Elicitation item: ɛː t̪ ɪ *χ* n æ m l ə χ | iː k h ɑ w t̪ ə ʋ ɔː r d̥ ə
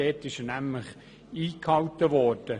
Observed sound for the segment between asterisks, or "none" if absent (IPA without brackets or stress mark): ʃ